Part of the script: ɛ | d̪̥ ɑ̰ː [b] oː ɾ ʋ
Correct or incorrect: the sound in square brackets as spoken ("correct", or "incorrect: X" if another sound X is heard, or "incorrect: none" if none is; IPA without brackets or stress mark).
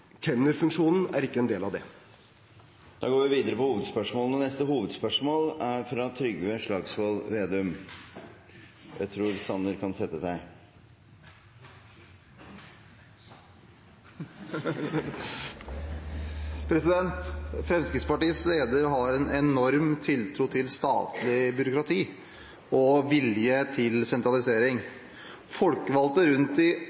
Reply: incorrect: ɡ